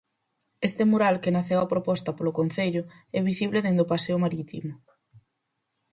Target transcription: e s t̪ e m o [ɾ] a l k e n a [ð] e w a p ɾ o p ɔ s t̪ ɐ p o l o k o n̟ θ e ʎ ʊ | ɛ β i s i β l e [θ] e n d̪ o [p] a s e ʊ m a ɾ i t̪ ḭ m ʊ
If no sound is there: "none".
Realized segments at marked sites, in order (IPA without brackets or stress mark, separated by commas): ɾ, θ, ð, p